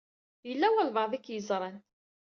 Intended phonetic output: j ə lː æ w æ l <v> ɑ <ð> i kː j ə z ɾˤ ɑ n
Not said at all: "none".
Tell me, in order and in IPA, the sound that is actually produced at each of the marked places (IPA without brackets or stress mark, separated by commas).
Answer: v, ð